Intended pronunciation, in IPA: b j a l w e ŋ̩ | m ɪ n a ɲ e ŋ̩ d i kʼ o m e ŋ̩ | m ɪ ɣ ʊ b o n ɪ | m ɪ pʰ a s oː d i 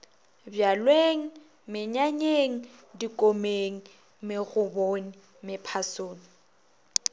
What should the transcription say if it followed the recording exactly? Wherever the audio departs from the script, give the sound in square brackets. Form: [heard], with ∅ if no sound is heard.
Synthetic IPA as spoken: b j a l w e ŋ̩ | m ɪ [ɲ] a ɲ e ŋ̩ d i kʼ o m e ŋ̩ | m ɪ ɣ ʊ b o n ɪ | m ɪ pʰ a s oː [n] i